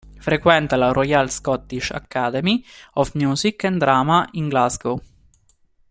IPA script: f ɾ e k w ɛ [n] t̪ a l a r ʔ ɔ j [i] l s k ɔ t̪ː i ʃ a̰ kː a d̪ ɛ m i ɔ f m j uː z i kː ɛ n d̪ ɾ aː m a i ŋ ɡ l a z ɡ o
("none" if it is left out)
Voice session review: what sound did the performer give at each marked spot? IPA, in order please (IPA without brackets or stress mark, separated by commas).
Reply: n, a